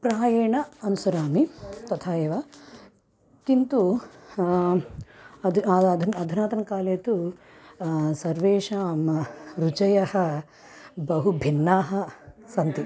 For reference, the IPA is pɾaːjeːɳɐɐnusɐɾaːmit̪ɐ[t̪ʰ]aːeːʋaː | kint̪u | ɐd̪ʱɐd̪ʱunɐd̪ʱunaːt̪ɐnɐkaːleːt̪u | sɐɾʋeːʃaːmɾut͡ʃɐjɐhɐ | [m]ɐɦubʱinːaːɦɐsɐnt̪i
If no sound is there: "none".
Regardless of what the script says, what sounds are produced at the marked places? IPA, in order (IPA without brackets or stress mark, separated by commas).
t̪ʰ, b